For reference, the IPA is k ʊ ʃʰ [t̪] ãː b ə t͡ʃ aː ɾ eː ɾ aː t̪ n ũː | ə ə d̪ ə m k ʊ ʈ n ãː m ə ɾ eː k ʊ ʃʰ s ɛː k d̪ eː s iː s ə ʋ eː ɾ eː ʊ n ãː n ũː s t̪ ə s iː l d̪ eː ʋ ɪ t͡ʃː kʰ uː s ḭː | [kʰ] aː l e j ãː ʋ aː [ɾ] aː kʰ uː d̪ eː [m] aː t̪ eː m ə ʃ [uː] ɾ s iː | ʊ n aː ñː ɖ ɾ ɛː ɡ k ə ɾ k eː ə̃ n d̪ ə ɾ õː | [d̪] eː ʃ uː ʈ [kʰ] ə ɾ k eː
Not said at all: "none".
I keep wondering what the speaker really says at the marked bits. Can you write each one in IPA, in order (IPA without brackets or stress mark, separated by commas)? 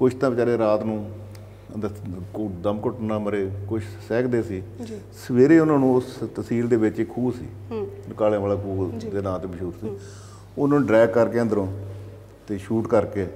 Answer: t̪, k, l, n, uː, t̪, k